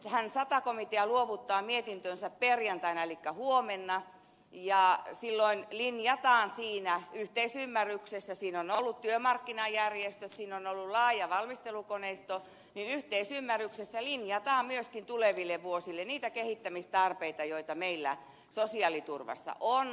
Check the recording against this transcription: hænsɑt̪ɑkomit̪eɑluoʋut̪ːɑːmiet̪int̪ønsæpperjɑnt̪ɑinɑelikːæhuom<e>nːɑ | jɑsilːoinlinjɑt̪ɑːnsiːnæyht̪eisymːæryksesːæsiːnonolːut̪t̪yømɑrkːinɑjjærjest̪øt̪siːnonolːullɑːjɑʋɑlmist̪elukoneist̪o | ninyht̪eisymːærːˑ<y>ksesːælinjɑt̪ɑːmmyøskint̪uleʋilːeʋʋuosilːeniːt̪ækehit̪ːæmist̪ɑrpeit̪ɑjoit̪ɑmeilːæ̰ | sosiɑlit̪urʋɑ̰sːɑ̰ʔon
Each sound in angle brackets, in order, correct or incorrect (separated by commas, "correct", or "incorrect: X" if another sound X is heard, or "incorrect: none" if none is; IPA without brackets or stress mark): correct, correct